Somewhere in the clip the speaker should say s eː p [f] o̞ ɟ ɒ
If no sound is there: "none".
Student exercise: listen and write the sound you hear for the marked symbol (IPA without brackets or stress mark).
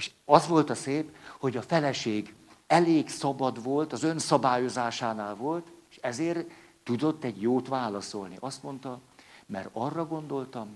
h